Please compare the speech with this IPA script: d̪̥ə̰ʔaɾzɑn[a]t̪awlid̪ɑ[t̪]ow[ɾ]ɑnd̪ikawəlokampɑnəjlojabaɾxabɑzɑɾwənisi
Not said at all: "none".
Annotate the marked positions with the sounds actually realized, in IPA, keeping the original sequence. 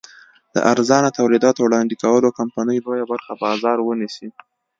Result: a, t̪, ɽ

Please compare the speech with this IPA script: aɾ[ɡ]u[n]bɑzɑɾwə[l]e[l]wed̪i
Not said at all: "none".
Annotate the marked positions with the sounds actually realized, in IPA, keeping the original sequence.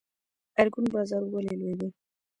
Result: ɡ, n, l, l

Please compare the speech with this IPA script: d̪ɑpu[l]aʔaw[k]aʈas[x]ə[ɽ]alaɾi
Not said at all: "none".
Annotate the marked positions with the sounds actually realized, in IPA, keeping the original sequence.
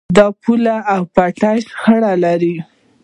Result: l, p, x, ɽ

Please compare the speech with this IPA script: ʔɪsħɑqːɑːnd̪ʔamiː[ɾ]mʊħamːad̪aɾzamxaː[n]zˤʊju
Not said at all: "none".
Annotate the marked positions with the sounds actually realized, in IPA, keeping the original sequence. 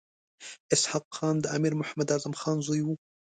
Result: ɾ, n

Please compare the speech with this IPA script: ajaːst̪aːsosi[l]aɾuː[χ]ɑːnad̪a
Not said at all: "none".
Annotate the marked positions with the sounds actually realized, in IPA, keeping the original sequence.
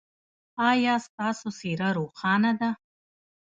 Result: ɾ, χ

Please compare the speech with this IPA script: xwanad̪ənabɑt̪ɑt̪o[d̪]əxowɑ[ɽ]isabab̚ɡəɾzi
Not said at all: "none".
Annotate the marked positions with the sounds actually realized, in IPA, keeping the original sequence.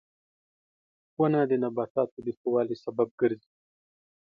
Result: d̪, l

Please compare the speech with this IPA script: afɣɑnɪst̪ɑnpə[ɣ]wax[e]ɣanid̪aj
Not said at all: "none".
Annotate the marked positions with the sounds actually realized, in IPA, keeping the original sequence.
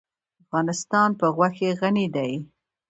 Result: ɣ, e

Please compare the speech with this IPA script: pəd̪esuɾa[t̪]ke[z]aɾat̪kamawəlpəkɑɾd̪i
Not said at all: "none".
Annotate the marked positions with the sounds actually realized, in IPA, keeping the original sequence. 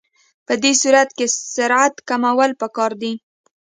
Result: t̪, s

